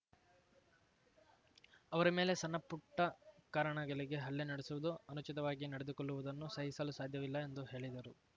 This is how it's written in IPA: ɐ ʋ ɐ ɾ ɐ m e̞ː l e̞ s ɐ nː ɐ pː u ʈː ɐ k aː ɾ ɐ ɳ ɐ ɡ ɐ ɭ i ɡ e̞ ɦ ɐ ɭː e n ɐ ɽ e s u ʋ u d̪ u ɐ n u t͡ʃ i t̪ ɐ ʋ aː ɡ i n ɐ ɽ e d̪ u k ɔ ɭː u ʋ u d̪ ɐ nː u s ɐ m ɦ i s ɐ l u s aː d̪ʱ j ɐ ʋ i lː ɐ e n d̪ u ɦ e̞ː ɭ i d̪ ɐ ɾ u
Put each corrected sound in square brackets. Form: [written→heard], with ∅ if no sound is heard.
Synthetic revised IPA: ɐ ʋ ɐ ɾ ɐ m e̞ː l e̞ s ɐ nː ɐ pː u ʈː ɐ k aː ɾ ɐ ɳ ɐ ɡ ɐ ɭ i ɡ e̞ ɦ ɐ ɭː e n ɐ ɽ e s u ʋ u d̪ u ɐ n u t͡ʃ i t̪ ɐ ʋ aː ɡ i n ɐ ɽ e d̪ u k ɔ ɭː u ʋ u d̪ ɐ nː u s ɐ [m→∅] ɦ i s ɐ l u s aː d̪ʱ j ɐ ʋ i lː ɐ e n d̪ u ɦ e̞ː ɭ i d̪ ɐ ɾ u